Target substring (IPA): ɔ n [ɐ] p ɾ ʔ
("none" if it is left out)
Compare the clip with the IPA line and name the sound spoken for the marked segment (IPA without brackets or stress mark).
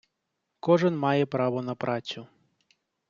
ɐ